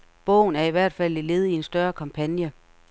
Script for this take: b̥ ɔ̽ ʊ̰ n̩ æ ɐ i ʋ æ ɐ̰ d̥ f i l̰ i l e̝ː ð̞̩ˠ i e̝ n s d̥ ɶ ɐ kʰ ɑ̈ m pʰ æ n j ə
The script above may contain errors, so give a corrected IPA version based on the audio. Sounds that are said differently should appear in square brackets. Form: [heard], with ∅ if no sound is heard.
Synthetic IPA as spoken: b̥ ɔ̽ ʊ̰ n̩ æ ɐ i ʋ æ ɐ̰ d̥ f [æ] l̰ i l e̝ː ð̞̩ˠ i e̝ n s d̥ ɶ ɐ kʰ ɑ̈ m pʰ æ n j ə